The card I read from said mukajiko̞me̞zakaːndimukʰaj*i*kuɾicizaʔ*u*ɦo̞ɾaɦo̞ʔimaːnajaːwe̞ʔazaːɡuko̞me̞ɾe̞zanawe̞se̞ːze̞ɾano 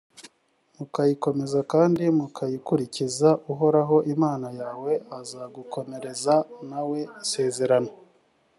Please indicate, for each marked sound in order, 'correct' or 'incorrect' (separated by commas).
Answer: correct, correct